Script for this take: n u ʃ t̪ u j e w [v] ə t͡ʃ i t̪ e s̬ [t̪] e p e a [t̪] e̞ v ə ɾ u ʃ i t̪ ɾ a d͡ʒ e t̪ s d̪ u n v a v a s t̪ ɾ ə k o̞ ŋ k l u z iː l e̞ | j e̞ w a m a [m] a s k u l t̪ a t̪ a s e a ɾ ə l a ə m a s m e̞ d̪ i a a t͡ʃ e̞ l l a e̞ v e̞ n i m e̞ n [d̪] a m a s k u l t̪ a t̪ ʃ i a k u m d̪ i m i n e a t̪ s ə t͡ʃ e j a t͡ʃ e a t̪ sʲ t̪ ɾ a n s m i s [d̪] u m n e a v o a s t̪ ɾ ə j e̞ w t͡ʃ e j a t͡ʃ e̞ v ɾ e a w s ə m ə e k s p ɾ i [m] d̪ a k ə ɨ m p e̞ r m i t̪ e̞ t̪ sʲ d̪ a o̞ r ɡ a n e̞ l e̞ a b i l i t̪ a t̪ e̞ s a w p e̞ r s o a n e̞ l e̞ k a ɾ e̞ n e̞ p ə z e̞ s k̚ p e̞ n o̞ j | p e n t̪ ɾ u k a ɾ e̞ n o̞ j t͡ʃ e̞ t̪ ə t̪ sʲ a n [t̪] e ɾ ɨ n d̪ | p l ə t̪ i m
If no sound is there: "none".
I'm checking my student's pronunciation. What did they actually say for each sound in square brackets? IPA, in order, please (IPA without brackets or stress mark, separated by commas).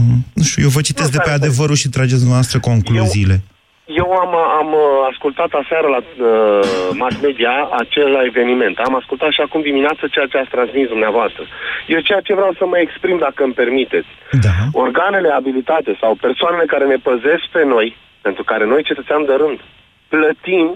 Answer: v, d̪, d̪, m, t̪, d̪, m, d̪